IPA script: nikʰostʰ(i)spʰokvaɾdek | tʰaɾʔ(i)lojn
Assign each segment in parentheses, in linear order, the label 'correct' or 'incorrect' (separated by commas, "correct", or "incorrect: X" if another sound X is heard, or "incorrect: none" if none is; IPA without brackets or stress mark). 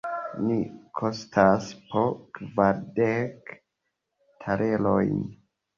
incorrect: a, incorrect: e